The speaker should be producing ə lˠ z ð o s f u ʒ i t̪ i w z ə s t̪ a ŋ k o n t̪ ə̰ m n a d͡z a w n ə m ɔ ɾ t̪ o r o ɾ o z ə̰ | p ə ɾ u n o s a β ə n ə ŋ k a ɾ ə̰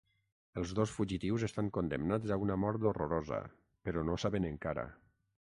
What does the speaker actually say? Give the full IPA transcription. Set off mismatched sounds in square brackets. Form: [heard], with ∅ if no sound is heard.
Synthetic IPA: ə lˠ z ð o s f u ʒ i t̪ i w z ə s t̪ a ŋ k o n [d̪] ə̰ m n a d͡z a [u] n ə m ɔ ɾ t̪ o r o ɾ o z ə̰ | p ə ɾ [ɔ] n o s a β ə n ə ŋ k a ɾ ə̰